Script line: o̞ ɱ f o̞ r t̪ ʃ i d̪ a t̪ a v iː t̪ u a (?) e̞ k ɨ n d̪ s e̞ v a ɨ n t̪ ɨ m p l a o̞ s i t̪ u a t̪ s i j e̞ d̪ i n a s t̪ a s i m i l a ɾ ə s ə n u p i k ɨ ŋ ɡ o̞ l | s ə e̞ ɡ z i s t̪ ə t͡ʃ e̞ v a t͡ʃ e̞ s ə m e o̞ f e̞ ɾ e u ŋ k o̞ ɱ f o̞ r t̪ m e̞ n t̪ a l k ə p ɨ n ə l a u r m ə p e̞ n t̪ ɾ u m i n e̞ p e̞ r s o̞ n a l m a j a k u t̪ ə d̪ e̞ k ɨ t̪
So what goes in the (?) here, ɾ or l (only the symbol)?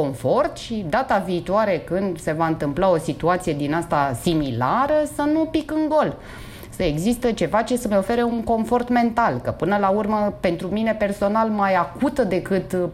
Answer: ɾ